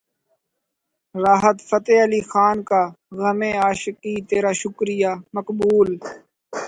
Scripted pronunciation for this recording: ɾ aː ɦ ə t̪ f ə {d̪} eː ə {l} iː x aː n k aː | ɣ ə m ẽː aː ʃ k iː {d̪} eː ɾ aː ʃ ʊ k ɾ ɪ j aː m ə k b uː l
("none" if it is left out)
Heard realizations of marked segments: t̪, l, t̪

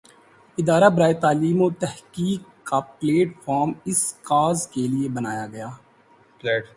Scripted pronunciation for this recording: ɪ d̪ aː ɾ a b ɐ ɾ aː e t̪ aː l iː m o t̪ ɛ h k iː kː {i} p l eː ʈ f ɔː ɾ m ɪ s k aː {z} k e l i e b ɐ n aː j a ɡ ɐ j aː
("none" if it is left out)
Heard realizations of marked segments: a, z

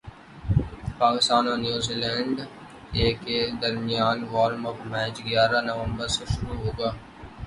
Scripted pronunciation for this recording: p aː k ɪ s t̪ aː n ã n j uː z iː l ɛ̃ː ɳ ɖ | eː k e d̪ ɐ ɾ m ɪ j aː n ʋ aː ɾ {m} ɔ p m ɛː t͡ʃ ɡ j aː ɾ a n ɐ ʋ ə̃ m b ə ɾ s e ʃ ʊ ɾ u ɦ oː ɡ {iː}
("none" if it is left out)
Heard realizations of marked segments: m, aː

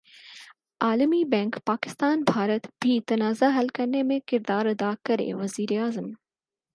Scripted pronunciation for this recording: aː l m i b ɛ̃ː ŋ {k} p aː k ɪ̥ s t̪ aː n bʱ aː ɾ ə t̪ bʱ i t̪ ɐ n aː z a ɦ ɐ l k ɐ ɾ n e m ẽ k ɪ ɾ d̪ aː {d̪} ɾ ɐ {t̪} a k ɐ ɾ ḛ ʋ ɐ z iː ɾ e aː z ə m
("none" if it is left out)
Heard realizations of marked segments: k, none, d̪

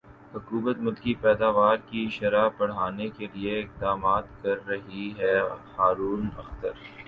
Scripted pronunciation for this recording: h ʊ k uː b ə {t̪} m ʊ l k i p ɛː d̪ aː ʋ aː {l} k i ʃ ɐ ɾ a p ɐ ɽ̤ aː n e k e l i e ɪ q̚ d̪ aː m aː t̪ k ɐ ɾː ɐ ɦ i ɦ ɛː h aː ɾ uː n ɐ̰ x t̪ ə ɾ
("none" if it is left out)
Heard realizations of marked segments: t̪, ɾ

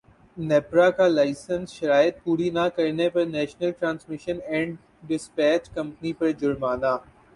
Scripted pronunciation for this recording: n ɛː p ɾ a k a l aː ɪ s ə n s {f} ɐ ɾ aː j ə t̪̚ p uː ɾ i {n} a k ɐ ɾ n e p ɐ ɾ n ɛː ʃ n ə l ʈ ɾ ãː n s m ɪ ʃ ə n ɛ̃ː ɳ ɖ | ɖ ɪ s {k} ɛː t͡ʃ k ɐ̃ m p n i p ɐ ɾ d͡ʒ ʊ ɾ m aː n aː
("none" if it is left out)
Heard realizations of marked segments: ʃ, n, p

